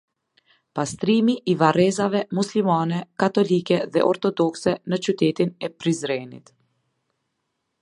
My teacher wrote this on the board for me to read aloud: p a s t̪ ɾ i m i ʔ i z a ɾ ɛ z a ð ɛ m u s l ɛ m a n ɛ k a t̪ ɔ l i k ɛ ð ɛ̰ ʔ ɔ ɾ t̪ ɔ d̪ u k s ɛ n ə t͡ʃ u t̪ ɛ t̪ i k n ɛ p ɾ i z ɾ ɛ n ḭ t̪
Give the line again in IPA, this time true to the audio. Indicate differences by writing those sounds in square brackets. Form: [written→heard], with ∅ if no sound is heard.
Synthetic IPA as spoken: p a s t̪ ɾ i m i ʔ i [z→v] a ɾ ɛ z a [ð→v] ɛ m u s l [ɛ→i] m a n ɛ k a t̪ ɔ l i k ɛ ð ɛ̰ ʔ ɔ ɾ t̪ ɔ d̪ [u→ɔ] k s ɛ n ə t͡ʃ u t̪ ɛ t̪ i [k→∅] n ɛ p ɾ i z ɾ ɛ n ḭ t̪

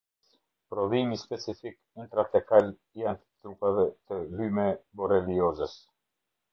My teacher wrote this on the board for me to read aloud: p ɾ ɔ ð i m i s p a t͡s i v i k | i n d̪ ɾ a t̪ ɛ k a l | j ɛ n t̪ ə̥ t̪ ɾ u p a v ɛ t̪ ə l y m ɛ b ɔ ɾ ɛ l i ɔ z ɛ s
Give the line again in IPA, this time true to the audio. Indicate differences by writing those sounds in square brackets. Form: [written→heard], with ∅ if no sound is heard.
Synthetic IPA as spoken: p ɾ ɔ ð i m i s p [a→ɛ] t͡s i [v→f] i k | i n [d̪→t̪] ɾ a t̪ ɛ k a l | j [ɛ→a] n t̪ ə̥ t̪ ɾ u p a v ɛ t̪ ə l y m ɛ b ɔ ɾ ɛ l i ɔ z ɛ s

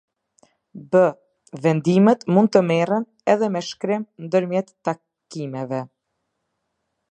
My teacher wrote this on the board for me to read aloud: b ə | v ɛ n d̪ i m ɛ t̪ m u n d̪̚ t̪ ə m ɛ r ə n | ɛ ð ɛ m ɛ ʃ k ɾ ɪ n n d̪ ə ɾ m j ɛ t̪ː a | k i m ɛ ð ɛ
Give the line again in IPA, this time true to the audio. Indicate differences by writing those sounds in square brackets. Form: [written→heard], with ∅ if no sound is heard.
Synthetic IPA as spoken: b ə | v ɛ n d̪ i m ɛ t̪ m u n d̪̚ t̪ ə m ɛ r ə n | ɛ ð ɛ m ɛ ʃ k ɾ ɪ [n→m] n d̪ ə ɾ m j ɛ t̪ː a | k i m ɛ [ð→v] ɛ

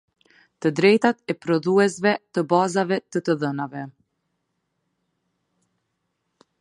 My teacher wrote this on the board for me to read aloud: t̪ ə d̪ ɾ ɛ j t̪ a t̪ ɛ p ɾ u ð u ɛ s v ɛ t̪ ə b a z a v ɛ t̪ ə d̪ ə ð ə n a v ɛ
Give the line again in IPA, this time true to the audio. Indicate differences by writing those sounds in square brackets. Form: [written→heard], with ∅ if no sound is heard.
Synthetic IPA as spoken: t̪ ə d̪ ɾ ɛ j t̪ a t̪ ɛ p ɾ [u→ɔ] ð u ɛ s v ɛ t̪ ə b a z a v ɛ t̪ ə [d̪→t̪] ə ð ə n a v ɛ

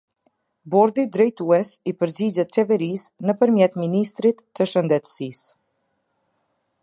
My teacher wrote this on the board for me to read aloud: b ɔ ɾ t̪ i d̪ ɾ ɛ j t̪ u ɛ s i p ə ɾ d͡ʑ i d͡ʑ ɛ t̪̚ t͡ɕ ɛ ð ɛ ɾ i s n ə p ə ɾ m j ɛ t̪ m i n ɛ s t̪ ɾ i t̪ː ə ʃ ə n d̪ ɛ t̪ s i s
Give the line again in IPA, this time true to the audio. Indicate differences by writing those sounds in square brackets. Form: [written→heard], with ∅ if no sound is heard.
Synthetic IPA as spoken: b ɔ ɾ [t̪→d̪] i d̪ ɾ ɛ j t̪ u ɛ s i p ə ɾ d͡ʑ i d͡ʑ ɛ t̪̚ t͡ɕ ɛ [ð→v] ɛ ɾ i s n ə p ə ɾ m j ɛ t̪ m i n [ɛ→i] s t̪ ɾ i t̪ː ə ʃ ə n d̪ ɛ t̪ s i s

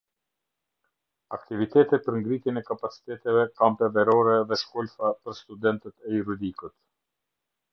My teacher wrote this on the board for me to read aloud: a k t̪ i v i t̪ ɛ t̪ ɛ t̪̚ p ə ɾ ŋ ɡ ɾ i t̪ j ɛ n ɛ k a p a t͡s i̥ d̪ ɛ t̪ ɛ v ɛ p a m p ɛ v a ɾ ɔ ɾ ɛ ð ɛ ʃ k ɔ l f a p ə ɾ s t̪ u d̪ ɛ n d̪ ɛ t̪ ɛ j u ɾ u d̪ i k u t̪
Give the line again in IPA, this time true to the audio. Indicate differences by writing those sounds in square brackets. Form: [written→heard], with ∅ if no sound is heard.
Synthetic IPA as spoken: a k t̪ i v i t̪ ɛ t̪ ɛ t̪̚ p ə ɾ ŋ ɡ ɾ i t̪ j ɛ n ɛ k a p a t͡s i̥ [d̪→t̪] ɛ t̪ ɛ v ɛ [p→k] a m p ɛ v [a→ɛ] ɾ ɔ ɾ ɛ ð ɛ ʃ k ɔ l f a p ə ɾ s t̪ u d̪ ɛ n [d̪→t̪] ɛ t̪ ɛ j u ɾ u d̪ i k u t̪

